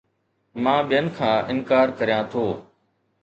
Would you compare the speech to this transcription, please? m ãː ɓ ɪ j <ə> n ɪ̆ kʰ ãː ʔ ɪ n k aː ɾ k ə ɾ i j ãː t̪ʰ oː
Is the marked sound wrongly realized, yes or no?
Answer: no